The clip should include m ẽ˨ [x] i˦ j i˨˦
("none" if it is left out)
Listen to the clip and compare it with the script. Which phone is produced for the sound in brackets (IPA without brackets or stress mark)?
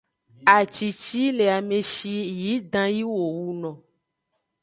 ʃ